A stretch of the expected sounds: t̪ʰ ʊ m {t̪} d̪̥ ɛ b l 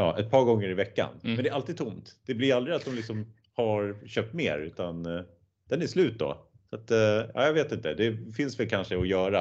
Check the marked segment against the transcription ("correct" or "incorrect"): correct